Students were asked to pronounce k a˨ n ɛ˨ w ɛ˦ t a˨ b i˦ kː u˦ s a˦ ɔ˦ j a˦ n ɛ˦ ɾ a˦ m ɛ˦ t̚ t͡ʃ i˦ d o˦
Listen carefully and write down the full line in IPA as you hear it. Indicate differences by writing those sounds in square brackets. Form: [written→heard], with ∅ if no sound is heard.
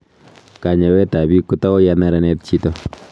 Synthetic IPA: k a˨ [n→ɲ] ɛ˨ w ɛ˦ t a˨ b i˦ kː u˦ [s→t] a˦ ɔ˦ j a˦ n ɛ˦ ɾ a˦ [m→n] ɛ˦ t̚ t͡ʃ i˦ [d→t] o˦